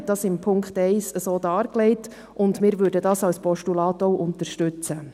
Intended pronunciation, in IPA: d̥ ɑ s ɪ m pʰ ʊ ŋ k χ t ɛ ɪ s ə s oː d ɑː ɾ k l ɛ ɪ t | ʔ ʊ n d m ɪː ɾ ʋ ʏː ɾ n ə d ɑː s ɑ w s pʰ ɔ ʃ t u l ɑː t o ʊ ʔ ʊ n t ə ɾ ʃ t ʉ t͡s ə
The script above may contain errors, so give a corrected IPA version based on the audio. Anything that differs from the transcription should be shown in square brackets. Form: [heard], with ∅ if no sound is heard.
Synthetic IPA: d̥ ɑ s ɪ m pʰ ʊ ŋ k χ t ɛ ɪ s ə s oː d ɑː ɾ k l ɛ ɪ t | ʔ ʊ n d m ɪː ɾ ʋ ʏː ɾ [d] ə d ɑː s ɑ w s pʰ ɔ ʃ t u l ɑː t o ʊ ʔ ʊ n t ə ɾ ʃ t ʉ t͡s ə